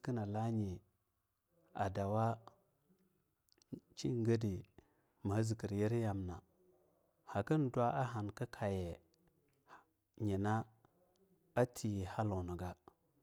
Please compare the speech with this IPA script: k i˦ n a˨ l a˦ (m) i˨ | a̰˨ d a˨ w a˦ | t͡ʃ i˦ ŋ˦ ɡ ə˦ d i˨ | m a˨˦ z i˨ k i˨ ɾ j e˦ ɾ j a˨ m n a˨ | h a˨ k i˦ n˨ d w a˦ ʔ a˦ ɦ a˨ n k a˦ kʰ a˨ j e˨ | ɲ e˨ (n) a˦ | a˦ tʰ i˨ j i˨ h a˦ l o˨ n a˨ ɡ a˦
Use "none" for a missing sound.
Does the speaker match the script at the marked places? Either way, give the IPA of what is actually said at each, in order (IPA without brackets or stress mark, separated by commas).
ɲ, n